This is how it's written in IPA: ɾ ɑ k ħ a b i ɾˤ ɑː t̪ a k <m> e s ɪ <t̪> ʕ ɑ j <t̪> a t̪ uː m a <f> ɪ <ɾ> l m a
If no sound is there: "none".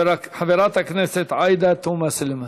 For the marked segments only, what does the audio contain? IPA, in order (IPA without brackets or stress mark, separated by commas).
n, t̪, d̪, s, none